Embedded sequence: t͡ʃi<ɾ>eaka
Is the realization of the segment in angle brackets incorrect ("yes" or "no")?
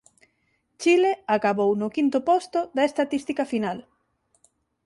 yes